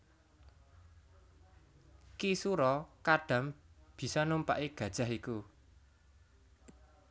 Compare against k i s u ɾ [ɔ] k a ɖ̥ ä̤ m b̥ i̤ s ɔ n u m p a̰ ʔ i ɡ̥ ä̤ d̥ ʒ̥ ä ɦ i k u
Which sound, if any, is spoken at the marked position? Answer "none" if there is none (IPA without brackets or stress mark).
ɔ